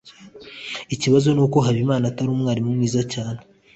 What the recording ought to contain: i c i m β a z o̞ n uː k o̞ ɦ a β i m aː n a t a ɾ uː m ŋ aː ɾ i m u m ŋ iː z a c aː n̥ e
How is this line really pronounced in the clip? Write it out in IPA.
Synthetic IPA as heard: i c i β a z o̞ n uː k o̞ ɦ a β i m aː n a t a ɾ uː m ŋ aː ɾ i m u m ŋ iː z a c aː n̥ e